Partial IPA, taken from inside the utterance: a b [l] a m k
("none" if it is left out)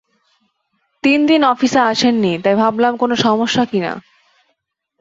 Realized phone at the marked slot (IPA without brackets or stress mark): l